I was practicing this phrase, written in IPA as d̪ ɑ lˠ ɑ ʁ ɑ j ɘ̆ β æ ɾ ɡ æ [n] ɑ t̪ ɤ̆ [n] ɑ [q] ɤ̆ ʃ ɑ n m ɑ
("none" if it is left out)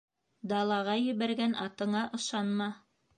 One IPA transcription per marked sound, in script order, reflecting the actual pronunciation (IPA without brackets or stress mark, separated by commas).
n, ɴ, ʔ